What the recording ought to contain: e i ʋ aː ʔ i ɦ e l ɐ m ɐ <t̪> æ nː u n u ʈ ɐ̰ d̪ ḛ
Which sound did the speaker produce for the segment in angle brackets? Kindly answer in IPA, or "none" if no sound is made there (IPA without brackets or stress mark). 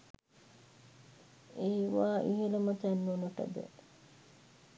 t̪